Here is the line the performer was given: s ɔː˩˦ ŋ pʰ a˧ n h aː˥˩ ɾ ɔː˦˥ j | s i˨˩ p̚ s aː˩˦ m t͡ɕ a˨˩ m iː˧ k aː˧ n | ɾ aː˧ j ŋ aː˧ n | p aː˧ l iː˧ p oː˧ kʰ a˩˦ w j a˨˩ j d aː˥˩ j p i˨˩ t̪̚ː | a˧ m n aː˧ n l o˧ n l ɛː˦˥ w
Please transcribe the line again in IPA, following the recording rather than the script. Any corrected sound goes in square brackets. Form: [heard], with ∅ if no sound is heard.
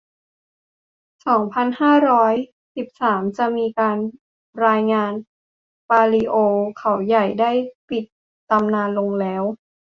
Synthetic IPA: s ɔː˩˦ ŋ pʰ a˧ n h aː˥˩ ɾ ɔː˦˥ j | s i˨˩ p̚ s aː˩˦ m t͡ɕ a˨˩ m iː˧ k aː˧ n | ɾ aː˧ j ŋ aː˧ n | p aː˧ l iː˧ [ʔ] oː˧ kʰ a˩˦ w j a˨˩ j d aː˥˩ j p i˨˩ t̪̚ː | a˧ m n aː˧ n l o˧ [ŋ] l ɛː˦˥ w